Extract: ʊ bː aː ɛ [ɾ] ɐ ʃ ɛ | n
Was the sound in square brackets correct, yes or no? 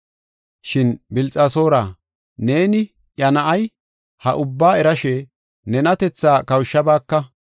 yes